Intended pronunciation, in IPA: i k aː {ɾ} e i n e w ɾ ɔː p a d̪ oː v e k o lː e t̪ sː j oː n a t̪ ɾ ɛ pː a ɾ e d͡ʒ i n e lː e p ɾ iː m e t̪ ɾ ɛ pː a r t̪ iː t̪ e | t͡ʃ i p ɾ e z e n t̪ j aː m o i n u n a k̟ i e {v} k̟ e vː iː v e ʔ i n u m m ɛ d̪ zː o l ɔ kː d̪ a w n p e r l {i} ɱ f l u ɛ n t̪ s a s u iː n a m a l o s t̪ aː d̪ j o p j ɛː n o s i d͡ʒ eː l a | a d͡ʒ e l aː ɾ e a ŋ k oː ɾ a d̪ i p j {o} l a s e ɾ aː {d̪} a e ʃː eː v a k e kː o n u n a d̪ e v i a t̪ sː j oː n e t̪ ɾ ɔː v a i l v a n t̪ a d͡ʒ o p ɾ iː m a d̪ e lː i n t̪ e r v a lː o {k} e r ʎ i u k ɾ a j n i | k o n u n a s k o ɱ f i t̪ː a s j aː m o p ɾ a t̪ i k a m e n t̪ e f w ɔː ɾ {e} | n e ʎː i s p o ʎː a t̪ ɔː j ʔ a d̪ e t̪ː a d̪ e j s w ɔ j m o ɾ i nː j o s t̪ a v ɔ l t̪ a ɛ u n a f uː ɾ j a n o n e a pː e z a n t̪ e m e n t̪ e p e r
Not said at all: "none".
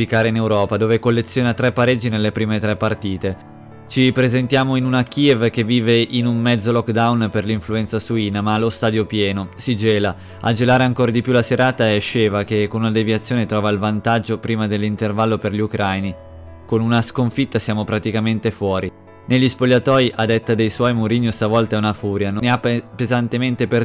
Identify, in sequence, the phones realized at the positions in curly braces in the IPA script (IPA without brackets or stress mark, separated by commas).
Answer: ɾ, v, i, u, t̪, p, i